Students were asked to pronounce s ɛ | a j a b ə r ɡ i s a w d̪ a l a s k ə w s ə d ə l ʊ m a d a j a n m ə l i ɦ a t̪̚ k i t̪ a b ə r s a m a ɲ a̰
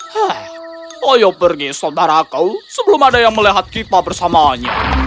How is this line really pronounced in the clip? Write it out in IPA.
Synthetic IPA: h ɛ | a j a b ə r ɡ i s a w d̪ a ɾ a k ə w s ə b ə l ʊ m a d a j a ŋ m ə l i ɦ a t̪̚ k i t̪ a b ə r s a m a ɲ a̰